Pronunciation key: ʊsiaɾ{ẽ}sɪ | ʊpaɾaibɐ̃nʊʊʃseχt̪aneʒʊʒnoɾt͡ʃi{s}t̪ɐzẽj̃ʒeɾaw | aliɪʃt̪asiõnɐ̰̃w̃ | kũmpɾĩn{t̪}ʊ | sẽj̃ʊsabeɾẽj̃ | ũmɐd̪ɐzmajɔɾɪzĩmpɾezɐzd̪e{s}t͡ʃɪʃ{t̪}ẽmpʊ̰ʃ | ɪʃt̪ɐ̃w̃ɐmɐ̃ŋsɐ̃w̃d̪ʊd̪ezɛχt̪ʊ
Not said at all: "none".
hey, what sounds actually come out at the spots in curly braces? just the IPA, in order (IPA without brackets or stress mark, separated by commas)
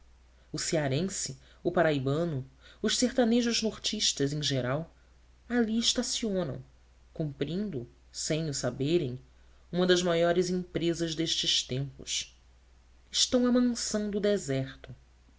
ẽ, ʃ, d̪, ʃ, t̪